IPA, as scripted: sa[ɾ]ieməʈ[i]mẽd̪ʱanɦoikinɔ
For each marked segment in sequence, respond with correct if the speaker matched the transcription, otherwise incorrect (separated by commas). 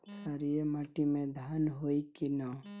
correct, correct